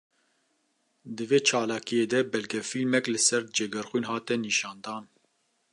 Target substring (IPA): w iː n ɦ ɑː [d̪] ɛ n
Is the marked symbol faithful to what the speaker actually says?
no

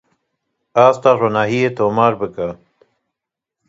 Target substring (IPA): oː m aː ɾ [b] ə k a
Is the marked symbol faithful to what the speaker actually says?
yes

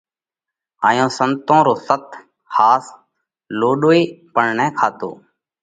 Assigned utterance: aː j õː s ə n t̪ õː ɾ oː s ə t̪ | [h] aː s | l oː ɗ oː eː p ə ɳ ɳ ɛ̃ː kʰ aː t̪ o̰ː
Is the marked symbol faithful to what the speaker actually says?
yes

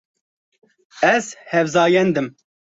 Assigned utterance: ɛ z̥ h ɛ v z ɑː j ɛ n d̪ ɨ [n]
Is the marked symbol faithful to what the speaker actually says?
no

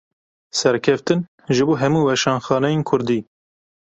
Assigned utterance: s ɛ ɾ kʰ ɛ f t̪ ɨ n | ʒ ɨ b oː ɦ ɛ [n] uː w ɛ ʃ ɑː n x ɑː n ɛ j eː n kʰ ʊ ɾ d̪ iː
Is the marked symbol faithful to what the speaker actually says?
no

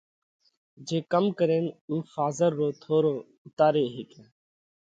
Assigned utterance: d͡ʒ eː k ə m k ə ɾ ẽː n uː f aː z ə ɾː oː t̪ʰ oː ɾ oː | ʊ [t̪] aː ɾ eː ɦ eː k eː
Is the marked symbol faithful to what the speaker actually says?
yes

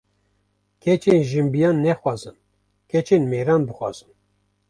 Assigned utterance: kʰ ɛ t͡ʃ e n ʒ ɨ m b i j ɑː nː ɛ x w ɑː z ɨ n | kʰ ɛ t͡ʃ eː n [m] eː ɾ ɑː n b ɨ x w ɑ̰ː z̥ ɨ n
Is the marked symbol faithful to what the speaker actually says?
yes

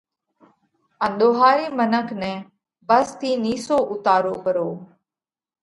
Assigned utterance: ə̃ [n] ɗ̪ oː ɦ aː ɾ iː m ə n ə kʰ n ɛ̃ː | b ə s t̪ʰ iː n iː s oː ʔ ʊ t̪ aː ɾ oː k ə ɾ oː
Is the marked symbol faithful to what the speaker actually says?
yes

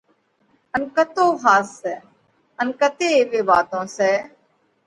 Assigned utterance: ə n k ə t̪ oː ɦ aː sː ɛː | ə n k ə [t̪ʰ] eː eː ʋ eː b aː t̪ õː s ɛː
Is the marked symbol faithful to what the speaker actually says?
no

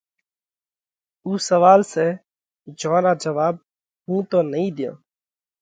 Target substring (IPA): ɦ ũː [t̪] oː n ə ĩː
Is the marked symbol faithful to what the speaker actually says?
yes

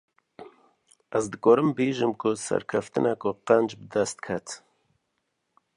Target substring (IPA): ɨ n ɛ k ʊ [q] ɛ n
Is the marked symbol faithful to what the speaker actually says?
yes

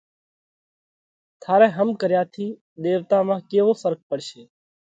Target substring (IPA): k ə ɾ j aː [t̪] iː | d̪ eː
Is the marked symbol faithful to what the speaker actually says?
no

